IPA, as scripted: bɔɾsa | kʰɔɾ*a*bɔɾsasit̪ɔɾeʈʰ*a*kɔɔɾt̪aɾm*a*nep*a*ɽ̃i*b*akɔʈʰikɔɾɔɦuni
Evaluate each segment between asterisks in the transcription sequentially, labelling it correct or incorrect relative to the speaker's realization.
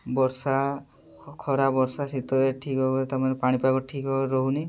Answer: correct, incorrect, correct, correct, incorrect

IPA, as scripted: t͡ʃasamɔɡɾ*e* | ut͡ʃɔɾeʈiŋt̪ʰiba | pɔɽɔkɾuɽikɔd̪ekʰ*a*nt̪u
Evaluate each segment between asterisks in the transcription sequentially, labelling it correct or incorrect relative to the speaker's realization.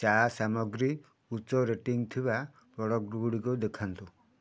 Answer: incorrect, correct

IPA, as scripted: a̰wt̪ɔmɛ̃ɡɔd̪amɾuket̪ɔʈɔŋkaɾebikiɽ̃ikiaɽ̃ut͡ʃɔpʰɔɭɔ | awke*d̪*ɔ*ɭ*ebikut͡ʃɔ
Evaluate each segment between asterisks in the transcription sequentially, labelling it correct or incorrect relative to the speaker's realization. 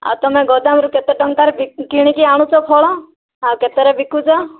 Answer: incorrect, incorrect

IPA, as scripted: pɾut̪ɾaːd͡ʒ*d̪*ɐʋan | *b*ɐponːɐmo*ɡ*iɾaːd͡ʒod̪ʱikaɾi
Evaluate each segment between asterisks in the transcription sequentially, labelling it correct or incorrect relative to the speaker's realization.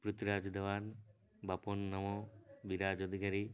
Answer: correct, correct, incorrect

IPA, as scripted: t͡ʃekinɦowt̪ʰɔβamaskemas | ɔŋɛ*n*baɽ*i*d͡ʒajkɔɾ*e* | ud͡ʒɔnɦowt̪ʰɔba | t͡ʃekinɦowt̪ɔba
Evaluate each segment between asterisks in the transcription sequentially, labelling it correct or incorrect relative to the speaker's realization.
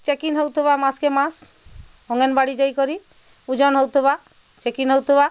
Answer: correct, correct, incorrect

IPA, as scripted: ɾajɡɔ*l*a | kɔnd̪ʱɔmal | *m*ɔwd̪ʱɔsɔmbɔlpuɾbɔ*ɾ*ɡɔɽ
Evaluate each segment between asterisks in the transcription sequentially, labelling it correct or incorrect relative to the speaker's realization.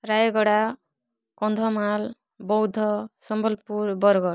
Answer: incorrect, incorrect, correct

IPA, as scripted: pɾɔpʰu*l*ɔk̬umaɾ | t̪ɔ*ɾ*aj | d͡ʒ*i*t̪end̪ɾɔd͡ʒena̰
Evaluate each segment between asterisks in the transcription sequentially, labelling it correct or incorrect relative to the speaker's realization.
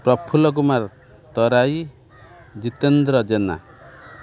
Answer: correct, correct, correct

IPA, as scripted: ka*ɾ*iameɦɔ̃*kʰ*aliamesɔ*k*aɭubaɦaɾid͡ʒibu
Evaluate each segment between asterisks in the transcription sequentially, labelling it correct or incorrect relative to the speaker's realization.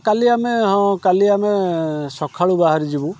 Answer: incorrect, incorrect, incorrect

